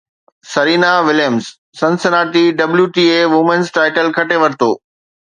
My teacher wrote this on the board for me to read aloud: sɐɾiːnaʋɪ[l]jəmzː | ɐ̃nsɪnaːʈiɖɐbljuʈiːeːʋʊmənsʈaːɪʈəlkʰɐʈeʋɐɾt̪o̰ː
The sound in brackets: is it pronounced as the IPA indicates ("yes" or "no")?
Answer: yes